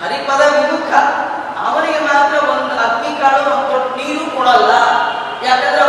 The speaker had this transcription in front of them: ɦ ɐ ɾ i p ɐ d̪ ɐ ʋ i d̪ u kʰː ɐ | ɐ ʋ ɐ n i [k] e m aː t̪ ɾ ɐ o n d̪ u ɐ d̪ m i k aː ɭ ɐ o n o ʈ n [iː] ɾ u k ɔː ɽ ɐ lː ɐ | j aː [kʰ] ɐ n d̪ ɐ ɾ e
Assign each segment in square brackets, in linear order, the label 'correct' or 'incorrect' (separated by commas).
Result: incorrect, correct, incorrect